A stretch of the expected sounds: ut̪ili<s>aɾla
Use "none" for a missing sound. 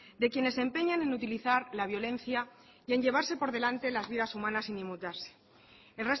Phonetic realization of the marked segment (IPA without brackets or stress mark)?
θ